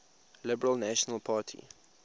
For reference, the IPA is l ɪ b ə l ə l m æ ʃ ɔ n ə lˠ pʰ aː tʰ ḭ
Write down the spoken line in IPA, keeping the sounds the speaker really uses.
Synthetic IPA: l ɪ b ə ɹ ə l n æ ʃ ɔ n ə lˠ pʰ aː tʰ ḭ